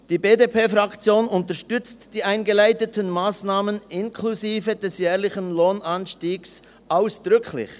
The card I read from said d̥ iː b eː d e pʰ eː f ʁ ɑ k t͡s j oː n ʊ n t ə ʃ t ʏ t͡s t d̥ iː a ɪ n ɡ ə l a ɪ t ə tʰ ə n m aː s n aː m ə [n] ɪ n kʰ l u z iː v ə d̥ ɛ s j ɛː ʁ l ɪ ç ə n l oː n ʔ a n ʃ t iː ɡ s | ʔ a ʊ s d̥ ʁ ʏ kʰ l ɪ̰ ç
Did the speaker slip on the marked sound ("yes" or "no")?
no